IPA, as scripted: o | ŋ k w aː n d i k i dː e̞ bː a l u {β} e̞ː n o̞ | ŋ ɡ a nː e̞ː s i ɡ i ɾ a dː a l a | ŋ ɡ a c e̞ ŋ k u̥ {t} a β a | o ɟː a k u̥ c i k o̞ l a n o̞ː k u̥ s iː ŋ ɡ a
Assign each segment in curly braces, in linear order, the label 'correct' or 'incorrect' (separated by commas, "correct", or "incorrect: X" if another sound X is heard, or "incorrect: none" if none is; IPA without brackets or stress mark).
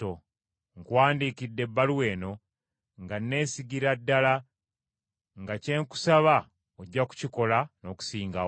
incorrect: w, incorrect: s